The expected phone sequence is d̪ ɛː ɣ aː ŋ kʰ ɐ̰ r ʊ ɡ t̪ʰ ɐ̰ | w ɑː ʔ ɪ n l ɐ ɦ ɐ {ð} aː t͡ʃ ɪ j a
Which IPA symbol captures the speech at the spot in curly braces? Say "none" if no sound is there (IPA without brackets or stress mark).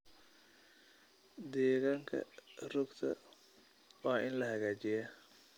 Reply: ɣ